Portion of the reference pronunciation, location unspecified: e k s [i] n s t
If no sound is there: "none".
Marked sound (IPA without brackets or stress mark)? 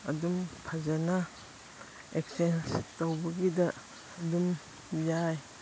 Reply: e